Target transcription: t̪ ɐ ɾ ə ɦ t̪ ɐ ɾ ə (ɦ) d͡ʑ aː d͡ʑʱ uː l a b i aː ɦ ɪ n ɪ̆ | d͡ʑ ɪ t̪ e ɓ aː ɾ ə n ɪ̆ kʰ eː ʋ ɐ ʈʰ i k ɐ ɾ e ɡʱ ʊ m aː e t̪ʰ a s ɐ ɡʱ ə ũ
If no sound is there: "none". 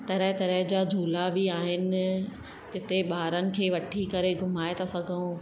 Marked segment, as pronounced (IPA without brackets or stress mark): ɦ